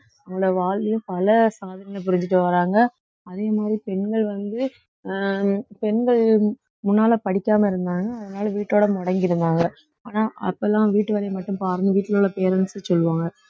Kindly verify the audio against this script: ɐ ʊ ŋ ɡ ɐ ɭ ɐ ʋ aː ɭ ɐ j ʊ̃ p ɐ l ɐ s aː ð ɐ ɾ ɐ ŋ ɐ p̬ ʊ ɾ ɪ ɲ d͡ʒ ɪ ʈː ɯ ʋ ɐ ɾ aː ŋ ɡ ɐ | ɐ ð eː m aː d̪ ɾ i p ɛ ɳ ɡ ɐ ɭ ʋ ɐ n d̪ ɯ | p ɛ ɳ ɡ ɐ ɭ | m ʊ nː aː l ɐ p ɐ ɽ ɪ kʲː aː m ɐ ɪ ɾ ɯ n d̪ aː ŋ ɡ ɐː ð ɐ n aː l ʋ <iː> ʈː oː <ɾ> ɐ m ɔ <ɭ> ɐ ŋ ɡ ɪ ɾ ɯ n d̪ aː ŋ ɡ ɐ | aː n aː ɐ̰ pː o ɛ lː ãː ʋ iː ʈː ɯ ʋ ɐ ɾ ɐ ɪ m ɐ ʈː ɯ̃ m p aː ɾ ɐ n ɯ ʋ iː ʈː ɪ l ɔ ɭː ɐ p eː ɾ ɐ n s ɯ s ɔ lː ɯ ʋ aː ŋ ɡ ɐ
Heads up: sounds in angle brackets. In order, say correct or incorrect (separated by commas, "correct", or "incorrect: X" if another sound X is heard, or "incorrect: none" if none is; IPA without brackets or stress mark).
correct, incorrect: ɽ, incorrect: ɽ